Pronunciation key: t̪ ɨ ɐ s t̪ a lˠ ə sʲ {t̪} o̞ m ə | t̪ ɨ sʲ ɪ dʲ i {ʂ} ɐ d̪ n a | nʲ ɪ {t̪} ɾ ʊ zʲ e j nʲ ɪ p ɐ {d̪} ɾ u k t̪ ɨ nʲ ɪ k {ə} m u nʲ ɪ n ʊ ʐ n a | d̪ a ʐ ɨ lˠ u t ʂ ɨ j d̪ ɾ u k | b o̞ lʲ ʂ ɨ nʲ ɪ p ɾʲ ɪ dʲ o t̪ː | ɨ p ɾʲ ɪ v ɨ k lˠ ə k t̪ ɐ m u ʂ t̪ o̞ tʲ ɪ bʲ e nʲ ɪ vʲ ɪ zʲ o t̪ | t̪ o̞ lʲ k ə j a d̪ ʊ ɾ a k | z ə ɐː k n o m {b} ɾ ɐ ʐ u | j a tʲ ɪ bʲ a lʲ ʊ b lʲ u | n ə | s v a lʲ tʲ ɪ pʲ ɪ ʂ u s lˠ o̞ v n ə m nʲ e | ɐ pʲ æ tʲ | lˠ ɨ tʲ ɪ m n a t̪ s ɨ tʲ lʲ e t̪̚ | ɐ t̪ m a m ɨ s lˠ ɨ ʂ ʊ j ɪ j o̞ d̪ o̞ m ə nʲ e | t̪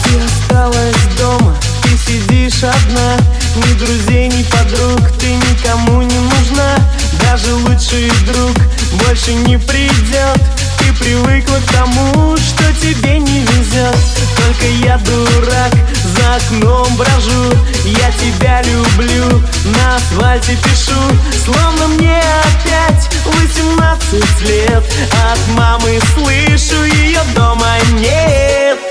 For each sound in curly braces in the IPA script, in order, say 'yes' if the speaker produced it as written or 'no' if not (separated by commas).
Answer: no, yes, no, yes, no, yes